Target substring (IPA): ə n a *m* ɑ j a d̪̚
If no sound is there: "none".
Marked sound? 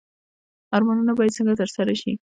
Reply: b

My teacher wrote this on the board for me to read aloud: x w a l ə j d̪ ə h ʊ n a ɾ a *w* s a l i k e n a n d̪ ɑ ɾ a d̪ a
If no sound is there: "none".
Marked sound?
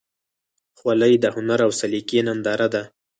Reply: w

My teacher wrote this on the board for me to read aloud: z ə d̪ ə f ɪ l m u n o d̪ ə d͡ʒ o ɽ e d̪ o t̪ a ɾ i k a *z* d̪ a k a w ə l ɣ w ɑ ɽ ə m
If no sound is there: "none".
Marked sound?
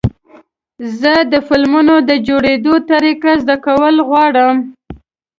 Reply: z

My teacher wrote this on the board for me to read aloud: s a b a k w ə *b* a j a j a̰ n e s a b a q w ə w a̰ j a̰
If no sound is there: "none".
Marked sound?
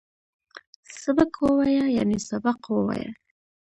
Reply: w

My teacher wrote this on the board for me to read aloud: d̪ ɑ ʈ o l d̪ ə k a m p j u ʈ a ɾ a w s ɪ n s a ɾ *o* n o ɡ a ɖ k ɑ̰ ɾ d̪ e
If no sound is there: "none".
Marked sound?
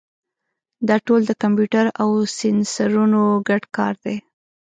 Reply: u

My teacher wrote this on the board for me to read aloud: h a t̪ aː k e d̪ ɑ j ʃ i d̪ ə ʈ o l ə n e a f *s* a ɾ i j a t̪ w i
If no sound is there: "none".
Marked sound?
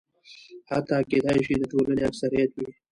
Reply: s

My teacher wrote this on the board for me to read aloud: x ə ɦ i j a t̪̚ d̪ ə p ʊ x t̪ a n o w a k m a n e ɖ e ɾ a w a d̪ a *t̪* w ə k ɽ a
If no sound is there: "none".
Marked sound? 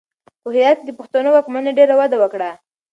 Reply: none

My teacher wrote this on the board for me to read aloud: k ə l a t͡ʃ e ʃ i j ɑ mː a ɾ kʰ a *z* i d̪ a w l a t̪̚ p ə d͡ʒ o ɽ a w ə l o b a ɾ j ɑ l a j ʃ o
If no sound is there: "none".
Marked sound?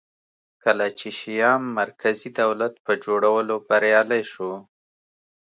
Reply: z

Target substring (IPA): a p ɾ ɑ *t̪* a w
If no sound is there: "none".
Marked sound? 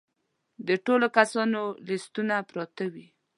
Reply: t̪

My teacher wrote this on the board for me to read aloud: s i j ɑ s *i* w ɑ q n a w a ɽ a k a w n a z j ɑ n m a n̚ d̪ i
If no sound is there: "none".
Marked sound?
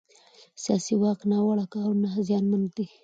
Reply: i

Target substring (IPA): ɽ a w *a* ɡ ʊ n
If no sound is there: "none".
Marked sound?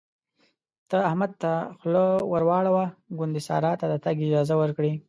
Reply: a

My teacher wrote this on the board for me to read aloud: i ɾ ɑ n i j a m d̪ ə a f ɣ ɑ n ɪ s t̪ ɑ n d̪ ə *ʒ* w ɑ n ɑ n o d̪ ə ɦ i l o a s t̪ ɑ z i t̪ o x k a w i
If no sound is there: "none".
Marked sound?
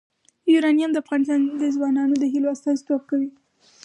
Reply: z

